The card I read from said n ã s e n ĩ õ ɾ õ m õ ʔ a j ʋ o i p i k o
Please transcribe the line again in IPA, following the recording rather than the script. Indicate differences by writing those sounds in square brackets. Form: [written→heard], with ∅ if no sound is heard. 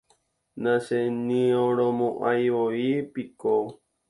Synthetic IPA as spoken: n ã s e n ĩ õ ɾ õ m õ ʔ a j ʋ o i p i k o